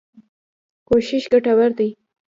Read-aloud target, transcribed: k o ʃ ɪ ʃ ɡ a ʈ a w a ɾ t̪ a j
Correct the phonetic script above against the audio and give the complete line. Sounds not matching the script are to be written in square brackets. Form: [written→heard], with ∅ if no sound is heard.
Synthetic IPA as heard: k o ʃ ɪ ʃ ɡ a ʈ a w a ɾ [t̪→d̪] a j